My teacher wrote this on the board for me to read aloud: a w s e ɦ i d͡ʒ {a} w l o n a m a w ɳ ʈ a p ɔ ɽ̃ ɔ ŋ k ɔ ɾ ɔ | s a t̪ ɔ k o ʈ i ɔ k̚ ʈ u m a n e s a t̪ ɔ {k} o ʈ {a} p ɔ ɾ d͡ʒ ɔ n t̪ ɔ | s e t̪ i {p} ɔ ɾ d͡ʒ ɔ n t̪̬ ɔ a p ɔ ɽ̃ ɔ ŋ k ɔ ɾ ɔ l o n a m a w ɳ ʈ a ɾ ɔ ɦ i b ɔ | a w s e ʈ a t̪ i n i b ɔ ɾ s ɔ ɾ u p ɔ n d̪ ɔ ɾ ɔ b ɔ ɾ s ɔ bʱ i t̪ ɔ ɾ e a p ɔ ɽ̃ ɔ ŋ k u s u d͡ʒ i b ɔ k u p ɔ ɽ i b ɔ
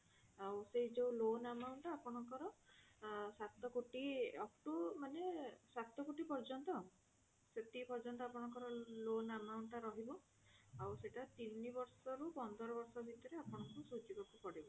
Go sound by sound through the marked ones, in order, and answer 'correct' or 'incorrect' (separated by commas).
incorrect, correct, incorrect, correct